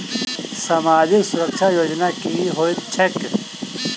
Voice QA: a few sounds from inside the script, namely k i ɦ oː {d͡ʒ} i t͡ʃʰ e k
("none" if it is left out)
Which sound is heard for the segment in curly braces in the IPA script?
none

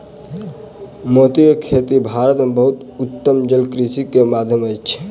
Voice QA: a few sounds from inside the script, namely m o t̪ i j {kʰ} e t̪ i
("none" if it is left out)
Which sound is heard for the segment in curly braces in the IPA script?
kʰ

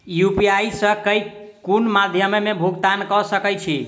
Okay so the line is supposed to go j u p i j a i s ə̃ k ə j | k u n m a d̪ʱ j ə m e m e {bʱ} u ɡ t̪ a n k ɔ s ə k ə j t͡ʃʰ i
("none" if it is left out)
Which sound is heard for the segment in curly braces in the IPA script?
bʱ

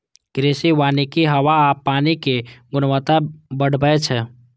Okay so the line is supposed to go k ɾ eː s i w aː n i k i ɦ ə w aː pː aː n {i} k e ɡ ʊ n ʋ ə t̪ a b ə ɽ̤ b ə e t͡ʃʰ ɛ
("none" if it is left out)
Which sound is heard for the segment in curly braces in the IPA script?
i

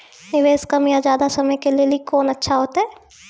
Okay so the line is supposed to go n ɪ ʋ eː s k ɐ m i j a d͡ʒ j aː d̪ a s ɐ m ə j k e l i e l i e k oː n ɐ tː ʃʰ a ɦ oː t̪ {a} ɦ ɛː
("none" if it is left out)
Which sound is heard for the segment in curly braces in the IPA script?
a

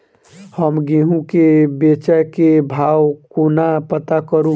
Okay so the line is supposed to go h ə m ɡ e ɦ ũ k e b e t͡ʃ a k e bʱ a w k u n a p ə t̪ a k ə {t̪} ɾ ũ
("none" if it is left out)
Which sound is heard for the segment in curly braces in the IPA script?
none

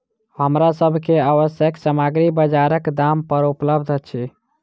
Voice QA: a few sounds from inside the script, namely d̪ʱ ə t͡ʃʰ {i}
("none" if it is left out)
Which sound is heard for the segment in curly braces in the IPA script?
i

